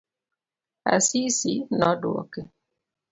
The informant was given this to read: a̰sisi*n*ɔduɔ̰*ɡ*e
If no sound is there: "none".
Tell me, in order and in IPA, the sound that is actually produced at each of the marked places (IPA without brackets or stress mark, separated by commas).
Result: n, k